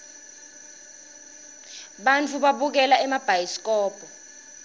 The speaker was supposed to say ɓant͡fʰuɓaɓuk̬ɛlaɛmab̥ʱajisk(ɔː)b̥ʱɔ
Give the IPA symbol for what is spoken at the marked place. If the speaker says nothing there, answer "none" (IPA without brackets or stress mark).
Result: ɔː